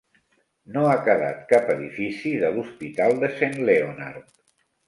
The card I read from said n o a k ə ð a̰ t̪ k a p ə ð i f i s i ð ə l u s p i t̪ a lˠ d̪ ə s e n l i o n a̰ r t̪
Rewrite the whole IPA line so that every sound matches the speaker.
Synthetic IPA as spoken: n o a k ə ð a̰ t̪ k a p ə ð i f i s i ð ə l u s p i t̪ a lˠ d̪ ə s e n l e o n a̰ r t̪